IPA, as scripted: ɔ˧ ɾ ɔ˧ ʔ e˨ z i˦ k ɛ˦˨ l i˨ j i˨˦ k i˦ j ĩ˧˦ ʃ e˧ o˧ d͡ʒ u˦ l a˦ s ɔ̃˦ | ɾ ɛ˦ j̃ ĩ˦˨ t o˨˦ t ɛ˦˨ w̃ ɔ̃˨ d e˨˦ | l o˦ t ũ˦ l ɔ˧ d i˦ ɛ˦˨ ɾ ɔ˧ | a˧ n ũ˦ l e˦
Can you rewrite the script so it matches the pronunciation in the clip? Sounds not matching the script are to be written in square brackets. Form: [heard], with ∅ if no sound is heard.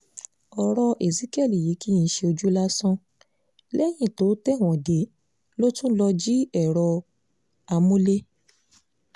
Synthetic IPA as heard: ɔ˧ ɾ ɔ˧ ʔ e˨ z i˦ k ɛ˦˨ l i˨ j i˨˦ k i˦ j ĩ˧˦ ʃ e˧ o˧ d͡ʒ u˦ l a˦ s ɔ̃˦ | [l] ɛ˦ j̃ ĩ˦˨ t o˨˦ t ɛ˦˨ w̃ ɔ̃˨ d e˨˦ | l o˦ t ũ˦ l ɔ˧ [d͡ʒ] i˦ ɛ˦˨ ɾ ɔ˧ | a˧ [m] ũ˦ l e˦